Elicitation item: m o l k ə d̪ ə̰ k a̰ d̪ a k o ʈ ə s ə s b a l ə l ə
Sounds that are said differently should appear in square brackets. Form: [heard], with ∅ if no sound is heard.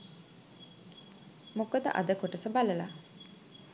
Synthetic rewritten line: m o [∅] k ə d̪ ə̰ [ʔ] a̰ d̪ [ə] k o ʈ ə s ə [∅] b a l ə l [a]